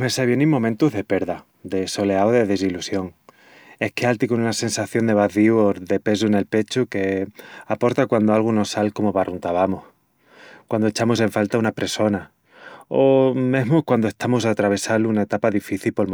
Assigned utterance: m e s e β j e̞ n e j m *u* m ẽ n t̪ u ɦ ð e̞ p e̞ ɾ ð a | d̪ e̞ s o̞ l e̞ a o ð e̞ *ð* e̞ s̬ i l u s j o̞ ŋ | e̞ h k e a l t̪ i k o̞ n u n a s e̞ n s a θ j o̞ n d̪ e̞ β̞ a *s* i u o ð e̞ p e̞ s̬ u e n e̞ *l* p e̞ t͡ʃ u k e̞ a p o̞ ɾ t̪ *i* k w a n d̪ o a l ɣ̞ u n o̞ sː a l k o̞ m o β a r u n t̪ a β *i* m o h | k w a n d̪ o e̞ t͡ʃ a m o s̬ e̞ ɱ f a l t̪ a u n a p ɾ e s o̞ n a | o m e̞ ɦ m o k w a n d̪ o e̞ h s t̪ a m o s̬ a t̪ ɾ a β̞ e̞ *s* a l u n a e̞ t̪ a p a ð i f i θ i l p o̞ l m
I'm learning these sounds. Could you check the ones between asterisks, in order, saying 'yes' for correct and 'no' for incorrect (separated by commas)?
no, yes, no, yes, no, no, yes